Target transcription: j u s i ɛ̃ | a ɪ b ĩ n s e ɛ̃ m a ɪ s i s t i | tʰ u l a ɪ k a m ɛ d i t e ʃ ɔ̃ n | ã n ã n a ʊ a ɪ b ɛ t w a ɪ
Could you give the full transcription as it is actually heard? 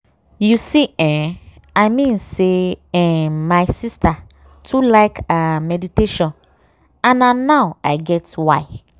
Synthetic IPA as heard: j u s i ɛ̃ | a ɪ m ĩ n s e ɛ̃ m a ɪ s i s t a | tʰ u l a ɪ k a m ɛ d i t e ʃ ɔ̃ n | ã n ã n a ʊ a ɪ ɡ ɛ t w a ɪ